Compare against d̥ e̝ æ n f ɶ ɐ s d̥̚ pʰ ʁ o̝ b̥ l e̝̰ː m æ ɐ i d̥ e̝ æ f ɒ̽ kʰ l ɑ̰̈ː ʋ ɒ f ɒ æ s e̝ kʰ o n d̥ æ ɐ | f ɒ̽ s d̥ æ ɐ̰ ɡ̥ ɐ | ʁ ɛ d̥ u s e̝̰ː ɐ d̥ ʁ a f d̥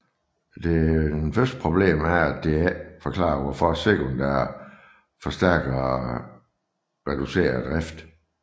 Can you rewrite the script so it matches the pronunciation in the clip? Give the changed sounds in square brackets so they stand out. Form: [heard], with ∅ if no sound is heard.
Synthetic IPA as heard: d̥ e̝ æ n f ɶ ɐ s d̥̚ pʰ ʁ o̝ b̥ l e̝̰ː m æ ɐ [æ] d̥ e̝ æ f ɒ̽ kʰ l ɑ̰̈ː ʋ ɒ f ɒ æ s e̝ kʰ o n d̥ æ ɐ | f ɒ̽ s d̥ æ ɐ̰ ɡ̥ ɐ | ʁ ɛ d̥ u s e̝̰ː ɐ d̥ ʁ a f d̥